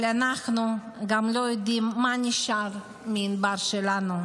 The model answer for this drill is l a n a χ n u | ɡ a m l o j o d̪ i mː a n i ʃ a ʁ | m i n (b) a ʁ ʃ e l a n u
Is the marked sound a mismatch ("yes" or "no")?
no